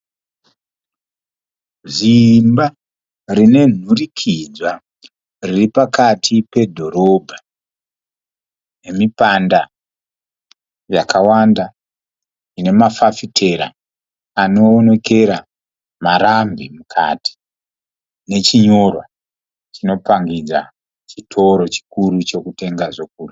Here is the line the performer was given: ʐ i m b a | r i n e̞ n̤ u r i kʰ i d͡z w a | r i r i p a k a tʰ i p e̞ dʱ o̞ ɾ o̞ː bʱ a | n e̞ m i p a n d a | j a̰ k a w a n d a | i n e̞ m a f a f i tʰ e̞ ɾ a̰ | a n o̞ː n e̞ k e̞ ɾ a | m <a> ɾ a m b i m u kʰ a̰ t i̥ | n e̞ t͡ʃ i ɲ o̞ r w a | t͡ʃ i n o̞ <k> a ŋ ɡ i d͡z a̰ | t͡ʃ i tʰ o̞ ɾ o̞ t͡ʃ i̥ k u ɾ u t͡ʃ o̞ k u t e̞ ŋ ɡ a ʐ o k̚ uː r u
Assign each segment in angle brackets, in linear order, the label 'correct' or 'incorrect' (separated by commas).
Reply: correct, incorrect